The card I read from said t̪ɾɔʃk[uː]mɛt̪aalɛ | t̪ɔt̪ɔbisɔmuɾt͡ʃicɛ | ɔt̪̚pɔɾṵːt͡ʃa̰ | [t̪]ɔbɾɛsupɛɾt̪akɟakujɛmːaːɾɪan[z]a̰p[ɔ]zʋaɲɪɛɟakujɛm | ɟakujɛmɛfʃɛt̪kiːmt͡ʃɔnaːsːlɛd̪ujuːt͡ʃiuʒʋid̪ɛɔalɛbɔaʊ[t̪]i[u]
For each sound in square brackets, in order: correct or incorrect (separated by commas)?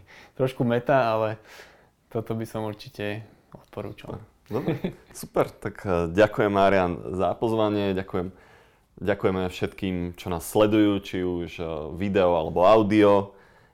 incorrect, incorrect, correct, correct, incorrect, incorrect